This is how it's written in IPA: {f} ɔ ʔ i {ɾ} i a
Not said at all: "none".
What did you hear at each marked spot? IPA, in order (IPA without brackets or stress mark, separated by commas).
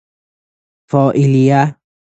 f, l